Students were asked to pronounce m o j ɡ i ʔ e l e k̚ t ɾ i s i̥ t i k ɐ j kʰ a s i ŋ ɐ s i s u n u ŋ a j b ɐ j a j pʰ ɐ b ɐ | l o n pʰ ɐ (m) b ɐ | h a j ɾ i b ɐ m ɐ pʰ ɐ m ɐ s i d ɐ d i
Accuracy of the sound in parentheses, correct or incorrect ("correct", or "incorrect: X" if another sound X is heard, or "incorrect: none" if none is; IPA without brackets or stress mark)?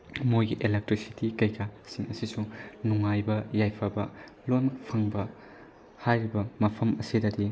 incorrect: ŋ